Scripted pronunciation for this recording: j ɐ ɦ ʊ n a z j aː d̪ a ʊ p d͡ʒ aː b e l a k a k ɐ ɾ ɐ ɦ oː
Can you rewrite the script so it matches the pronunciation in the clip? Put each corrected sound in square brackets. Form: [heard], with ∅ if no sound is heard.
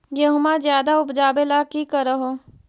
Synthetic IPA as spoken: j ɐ ɦ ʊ [m] a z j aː d̪ a ʊ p d͡ʒ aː b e l a k [i] k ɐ ɾ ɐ ɦ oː